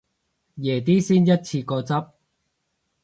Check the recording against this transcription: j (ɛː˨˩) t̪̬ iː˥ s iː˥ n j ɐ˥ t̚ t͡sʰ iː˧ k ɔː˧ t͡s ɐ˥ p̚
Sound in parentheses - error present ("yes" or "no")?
no